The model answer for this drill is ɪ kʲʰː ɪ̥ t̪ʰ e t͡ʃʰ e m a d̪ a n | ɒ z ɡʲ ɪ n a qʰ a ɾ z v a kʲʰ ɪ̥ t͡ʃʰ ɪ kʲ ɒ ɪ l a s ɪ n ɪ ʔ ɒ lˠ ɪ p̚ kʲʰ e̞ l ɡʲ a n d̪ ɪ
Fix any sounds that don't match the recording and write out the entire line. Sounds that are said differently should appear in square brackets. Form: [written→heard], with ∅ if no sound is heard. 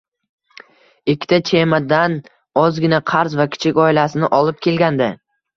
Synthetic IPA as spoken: ɪ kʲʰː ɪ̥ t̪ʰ [e→a] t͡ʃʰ e m a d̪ a n | ɒ z ɡʲ ɪ n a qʰ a ɾ z v a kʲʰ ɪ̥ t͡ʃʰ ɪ kʲ ɒ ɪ l a s ɪ n ɪ ʔ ɒ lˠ ɪ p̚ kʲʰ e̞ l ɡʲ a n d̪ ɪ